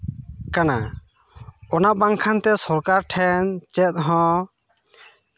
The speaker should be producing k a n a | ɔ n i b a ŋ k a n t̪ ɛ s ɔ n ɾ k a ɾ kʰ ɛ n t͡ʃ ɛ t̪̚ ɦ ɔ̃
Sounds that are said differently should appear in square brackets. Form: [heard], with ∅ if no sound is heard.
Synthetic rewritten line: k a n a | ɔ n [a] b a ŋ [kʰ] a n t̪ ɛ s ɔ [∅] ɾ k a ɾ [ʈʰ] ɛ n t͡ʃ ɛ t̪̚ ɦ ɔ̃